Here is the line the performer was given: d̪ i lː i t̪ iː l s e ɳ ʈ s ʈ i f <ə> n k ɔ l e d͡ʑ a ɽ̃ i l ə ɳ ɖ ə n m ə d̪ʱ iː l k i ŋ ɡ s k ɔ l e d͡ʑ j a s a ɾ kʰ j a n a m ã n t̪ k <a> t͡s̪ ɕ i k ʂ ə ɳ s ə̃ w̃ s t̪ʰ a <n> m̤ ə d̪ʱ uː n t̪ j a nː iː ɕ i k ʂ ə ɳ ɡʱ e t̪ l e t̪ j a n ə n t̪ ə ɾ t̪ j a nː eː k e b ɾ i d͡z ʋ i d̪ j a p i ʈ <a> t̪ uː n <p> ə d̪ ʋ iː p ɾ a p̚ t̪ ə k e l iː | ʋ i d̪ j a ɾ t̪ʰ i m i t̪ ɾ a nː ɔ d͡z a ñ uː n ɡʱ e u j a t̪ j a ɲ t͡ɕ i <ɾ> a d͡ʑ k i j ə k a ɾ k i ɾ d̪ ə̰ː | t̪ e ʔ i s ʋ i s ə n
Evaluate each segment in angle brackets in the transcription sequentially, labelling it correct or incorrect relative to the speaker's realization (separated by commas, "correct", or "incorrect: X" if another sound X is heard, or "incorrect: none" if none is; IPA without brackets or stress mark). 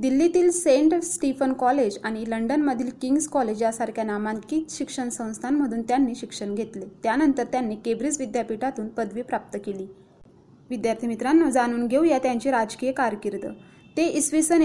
correct, incorrect: i, correct, correct, correct, correct